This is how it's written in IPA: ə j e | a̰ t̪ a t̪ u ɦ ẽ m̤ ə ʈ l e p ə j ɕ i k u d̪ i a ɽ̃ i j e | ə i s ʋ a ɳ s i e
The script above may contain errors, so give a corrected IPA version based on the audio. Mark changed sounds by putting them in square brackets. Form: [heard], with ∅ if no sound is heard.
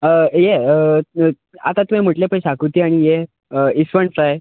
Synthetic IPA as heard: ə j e | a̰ t̪ a t̪ u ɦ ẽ m̤ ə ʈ l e p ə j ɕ [a] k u [t̪] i a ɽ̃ i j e | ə i s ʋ [ə] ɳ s [a] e